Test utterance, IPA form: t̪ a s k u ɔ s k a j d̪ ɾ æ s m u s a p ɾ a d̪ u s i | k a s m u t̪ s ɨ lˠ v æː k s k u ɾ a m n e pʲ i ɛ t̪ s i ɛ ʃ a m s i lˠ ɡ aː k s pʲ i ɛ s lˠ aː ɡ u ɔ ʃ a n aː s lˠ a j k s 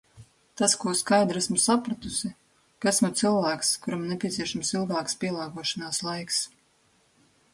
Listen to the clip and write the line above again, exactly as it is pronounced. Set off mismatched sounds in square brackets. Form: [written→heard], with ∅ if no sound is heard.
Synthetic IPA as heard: t̪ a s k u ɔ s k a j d̪ ɾ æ s m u s a p ɾ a [d̪→t̪] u s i | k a s m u t̪ s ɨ lˠ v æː k s k u ɾ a m n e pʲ i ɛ t̪ s i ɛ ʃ a m s i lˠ ɡ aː k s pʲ i ɛ [s→∅] lˠ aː ɡ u ɔ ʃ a n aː s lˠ a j k s